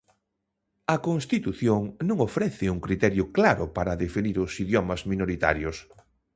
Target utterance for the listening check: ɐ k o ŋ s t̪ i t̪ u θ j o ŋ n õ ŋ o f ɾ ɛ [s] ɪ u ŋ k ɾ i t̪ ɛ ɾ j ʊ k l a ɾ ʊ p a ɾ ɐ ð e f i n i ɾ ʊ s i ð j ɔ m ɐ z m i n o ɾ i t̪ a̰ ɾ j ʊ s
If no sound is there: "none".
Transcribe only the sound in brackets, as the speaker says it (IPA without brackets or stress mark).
θ